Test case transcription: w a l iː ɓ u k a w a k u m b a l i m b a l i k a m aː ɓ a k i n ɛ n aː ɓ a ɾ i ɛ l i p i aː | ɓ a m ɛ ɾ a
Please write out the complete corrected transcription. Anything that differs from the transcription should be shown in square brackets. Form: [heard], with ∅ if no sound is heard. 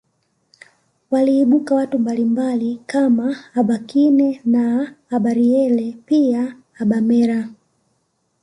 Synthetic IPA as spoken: w a l iː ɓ u k a w a [t] u m b a l i m b a l i k a m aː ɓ a k i n ɛ n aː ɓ a ɾ i ɛ l [ɛ] p i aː | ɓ a m ɛ ɾ a